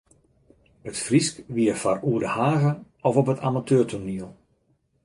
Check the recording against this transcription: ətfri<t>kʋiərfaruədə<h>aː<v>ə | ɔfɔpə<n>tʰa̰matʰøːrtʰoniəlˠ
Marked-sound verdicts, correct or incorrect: incorrect: s, correct, incorrect: ɣ, incorrect: none

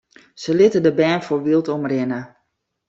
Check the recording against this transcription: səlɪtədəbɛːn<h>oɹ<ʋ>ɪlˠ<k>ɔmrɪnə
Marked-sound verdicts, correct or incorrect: incorrect: f, correct, incorrect: t

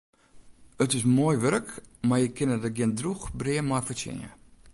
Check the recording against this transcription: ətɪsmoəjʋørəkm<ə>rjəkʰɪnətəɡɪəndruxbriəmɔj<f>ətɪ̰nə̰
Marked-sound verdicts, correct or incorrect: incorrect: a, correct

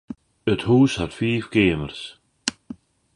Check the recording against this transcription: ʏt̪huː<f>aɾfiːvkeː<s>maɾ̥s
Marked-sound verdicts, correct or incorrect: incorrect: s, incorrect: none

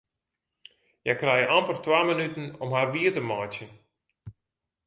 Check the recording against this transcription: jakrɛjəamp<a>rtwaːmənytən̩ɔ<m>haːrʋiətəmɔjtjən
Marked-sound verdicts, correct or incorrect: incorrect: ə, correct

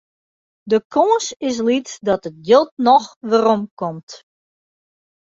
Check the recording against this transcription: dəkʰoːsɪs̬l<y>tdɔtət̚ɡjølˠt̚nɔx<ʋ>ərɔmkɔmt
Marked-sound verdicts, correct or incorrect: incorrect: i, correct

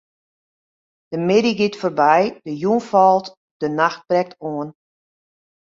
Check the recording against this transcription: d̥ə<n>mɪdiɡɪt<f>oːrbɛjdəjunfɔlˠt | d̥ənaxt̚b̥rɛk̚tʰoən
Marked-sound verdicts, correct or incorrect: incorrect: none, correct

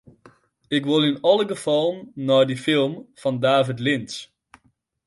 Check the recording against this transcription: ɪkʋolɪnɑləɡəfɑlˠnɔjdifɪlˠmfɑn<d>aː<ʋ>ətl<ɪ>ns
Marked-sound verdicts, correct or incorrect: correct, incorrect: v, correct

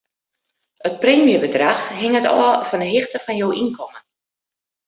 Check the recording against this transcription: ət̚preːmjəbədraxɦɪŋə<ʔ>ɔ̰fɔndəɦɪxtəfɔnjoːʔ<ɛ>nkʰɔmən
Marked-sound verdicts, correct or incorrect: incorrect: t, incorrect: i

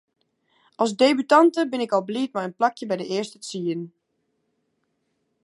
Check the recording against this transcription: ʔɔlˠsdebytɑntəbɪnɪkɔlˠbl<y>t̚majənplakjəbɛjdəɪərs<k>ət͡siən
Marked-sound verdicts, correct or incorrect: incorrect: i, incorrect: t

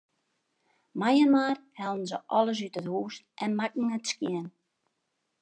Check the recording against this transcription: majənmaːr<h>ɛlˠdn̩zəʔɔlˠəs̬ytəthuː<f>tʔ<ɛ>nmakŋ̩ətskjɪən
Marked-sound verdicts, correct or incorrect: correct, incorrect: s, correct

